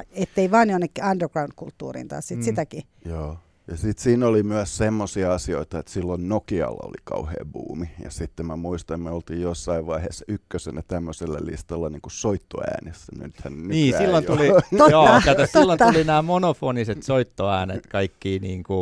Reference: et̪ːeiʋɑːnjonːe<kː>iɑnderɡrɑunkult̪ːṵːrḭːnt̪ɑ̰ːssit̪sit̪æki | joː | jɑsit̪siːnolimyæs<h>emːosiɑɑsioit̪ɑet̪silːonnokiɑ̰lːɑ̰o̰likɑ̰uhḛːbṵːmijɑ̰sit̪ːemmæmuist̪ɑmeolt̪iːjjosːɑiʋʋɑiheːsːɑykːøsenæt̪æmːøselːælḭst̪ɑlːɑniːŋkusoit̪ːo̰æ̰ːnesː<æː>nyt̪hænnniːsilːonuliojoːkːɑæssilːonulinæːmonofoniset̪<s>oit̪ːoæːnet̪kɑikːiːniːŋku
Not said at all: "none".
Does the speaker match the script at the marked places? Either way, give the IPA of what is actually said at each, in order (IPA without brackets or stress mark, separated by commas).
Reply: kː, s, æ, s